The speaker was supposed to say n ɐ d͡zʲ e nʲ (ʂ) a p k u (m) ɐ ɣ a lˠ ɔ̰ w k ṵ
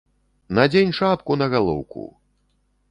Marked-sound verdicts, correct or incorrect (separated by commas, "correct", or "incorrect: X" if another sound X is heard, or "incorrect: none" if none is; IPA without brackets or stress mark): correct, incorrect: n